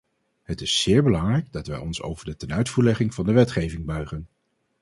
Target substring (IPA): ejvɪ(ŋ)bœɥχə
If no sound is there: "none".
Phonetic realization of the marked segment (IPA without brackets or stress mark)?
ŋ